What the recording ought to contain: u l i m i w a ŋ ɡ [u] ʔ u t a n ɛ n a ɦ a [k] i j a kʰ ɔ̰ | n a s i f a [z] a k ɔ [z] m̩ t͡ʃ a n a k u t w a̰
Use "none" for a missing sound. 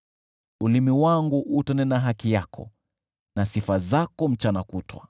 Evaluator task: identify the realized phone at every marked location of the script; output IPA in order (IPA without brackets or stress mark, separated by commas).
u, k, z, none